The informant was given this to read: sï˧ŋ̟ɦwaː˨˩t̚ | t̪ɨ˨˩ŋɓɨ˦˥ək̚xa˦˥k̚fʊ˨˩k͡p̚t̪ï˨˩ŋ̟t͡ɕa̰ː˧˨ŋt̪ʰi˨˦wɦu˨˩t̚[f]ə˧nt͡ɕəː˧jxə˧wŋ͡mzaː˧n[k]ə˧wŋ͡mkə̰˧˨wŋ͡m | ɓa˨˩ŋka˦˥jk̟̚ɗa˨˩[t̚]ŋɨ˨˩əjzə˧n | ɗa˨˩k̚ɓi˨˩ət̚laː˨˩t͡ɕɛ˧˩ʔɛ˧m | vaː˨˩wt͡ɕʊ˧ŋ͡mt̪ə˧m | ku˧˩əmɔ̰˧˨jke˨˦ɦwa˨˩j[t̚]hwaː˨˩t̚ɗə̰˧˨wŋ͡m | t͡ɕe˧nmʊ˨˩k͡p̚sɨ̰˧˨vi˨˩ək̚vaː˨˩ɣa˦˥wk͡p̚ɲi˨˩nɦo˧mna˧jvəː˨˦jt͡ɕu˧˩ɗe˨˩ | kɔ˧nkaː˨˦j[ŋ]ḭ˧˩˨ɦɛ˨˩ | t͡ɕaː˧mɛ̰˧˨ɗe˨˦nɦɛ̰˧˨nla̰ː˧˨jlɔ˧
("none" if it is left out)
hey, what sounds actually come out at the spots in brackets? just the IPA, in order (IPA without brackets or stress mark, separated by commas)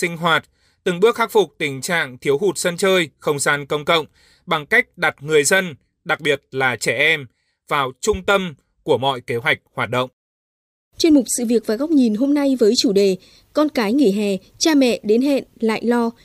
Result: s, k, t̚, k̚, ŋ